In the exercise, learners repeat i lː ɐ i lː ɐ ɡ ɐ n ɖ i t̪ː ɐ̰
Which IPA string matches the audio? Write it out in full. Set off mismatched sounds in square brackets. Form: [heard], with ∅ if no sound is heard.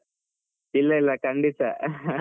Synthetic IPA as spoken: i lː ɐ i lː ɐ [k] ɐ [ɳ] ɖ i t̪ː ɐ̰